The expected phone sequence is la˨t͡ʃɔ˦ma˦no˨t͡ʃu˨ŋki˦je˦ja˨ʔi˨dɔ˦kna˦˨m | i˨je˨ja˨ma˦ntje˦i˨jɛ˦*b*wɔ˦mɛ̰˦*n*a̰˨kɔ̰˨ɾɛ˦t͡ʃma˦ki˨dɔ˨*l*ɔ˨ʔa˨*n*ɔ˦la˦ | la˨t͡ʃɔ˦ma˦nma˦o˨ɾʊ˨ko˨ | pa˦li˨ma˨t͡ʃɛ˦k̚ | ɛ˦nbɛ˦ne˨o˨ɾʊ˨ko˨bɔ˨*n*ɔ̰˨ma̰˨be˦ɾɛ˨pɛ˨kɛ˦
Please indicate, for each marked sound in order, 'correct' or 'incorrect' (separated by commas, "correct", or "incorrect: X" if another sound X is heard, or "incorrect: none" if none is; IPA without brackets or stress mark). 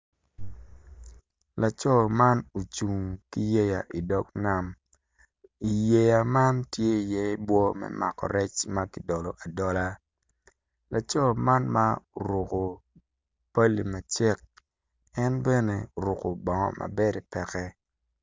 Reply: correct, incorrect: m, correct, incorrect: d, incorrect: ŋ